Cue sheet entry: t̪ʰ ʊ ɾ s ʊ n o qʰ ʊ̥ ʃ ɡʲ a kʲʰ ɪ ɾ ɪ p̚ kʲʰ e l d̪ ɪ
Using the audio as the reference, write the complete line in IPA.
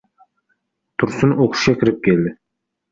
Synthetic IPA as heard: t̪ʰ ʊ ɾ s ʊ n o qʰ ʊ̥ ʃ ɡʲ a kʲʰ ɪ ɾ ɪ p̚ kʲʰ e l d̪ ɪ